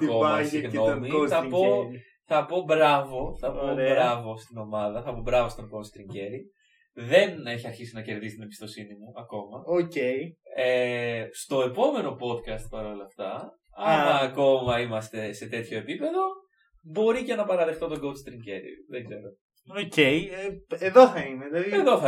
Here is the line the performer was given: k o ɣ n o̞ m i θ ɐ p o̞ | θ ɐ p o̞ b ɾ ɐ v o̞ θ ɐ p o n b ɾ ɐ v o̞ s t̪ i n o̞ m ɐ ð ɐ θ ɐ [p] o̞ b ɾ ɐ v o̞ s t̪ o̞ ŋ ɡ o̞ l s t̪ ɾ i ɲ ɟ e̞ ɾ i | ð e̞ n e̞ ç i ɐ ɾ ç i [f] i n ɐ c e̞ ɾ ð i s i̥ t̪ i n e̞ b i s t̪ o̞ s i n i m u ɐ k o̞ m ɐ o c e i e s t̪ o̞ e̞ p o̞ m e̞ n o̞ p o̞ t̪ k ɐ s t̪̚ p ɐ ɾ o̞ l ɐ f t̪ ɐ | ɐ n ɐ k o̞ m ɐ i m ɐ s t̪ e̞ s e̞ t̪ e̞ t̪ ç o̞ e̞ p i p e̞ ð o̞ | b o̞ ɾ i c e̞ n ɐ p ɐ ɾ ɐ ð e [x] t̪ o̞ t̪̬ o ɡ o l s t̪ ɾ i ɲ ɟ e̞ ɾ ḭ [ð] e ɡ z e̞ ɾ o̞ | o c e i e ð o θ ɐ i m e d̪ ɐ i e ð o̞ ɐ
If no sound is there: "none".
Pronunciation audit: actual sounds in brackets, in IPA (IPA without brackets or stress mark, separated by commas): p, s, x, ð